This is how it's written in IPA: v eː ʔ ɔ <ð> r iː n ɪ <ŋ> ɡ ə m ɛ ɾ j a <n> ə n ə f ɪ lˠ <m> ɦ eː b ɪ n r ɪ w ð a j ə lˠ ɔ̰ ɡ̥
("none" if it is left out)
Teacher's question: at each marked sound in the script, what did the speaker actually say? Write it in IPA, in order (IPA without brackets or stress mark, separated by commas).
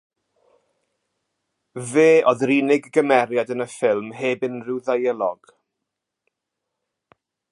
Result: ð, ɡ, d, m